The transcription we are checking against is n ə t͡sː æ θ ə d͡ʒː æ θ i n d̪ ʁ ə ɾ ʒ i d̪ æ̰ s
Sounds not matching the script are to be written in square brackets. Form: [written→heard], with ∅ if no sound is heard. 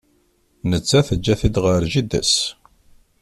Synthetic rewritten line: n ə t͡sː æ θ ə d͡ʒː æ θ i [n→∅] d̪ ʁ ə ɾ ʒ i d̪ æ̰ s